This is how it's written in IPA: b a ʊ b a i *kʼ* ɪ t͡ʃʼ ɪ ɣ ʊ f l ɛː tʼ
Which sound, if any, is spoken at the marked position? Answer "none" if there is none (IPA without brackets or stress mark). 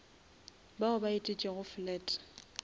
tʼ